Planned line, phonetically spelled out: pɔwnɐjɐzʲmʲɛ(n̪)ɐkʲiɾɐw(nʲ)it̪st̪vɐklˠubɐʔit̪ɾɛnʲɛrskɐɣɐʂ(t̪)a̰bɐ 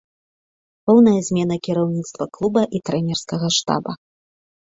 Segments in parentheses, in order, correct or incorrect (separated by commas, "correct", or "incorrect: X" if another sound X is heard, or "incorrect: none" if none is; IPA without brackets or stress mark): correct, correct, correct